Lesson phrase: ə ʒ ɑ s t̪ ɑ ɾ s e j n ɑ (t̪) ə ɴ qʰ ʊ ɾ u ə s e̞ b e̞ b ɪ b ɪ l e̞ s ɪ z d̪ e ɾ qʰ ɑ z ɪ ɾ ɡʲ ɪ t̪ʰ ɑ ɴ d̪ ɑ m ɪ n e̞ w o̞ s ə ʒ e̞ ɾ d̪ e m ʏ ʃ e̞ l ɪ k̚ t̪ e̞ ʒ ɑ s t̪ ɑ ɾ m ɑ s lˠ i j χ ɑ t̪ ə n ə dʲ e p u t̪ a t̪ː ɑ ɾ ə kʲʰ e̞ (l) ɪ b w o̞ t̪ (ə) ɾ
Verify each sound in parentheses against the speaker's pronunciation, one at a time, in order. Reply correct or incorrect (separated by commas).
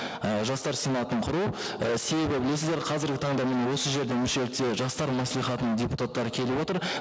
correct, correct, correct